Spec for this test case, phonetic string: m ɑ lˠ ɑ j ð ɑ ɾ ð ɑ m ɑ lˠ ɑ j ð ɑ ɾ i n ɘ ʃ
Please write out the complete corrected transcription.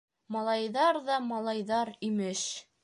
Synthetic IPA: m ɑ lˠ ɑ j ð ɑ ɾ ð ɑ m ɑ lˠ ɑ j ð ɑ ɾ i m ɘ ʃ